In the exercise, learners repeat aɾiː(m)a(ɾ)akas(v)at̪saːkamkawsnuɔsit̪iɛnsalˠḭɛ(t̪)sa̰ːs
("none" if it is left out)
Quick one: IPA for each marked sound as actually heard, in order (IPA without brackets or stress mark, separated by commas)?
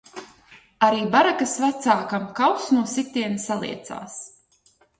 b, ɾ, v, t̪